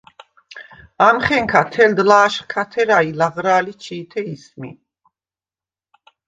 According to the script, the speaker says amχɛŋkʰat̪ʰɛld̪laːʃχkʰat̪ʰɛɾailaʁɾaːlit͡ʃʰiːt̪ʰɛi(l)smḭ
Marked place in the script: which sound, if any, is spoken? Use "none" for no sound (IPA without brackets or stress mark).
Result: none